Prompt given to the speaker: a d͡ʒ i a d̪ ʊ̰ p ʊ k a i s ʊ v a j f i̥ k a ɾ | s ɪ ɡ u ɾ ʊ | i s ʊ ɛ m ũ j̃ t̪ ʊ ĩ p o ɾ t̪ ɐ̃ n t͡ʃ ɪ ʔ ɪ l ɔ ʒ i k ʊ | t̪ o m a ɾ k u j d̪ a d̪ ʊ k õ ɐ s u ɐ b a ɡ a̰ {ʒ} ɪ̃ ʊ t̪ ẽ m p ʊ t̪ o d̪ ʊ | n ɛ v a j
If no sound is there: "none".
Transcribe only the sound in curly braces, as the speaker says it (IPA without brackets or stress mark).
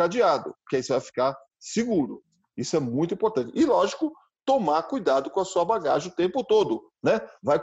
ʒ